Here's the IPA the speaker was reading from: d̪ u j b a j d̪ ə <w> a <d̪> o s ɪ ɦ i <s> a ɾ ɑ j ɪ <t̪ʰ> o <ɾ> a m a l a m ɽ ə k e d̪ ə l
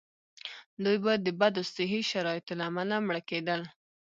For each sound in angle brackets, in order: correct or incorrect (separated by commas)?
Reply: incorrect, correct, incorrect, incorrect, incorrect